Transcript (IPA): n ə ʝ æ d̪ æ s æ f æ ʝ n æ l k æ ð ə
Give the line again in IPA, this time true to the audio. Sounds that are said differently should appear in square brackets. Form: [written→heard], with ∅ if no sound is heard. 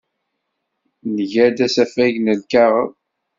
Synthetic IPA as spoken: n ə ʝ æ d̪ æ s æ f æ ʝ n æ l k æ [ð→ʁ] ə